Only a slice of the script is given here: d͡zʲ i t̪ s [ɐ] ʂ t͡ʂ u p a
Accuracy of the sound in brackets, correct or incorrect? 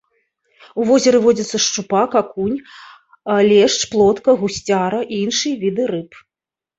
correct